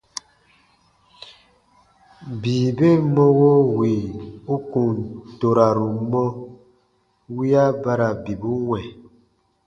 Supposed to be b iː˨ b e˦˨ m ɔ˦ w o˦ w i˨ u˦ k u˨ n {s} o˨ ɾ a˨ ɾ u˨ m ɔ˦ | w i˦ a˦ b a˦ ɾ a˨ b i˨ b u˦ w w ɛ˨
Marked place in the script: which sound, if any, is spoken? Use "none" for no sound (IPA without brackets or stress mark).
t